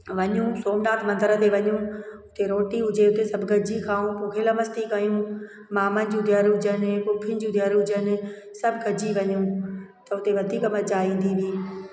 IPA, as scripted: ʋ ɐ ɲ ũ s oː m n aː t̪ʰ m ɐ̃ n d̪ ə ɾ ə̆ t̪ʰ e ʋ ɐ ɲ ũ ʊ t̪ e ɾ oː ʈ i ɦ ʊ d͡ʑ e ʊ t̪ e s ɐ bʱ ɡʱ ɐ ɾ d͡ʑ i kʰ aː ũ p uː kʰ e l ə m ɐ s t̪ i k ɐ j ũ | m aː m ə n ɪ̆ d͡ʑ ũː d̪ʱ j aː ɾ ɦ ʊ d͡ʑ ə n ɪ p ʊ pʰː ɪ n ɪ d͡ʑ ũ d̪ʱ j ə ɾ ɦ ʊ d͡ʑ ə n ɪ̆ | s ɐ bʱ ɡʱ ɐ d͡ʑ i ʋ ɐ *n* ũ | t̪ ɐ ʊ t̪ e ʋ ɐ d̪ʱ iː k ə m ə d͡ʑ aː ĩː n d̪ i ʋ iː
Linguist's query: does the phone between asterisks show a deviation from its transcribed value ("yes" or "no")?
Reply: yes